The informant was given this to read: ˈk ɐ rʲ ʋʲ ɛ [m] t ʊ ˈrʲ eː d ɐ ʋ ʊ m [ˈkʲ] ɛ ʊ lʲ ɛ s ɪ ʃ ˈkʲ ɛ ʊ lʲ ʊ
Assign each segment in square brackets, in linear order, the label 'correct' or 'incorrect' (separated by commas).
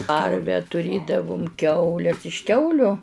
incorrect, correct